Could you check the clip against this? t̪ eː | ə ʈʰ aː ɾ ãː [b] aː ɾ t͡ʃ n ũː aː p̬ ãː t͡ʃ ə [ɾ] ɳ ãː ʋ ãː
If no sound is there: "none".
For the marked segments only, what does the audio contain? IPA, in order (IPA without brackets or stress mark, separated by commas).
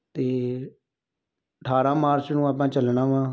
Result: m, l